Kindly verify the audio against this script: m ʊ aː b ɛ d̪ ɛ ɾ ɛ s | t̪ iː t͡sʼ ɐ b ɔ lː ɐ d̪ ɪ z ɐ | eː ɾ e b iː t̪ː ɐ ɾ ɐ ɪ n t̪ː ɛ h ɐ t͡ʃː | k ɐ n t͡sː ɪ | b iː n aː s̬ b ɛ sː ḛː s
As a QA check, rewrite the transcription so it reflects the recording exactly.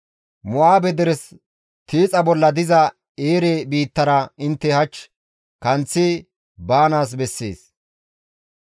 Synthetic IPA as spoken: m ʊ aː b ɛ d̪ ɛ ɾ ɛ s | t̪ iː t͡sʼ ɐ b ɔ lː ɐ d̪ ɪ z ɐ | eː ɾ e b iː t̪ː ɐ ɾ ɐ ɪ n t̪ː ɛ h ɐ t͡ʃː | k ɐ n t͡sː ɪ | b aː n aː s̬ b ɛ sː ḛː s